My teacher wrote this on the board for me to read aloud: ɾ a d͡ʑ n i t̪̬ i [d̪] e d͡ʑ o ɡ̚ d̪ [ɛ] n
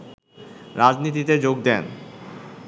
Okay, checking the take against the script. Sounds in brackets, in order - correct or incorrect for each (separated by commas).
incorrect, correct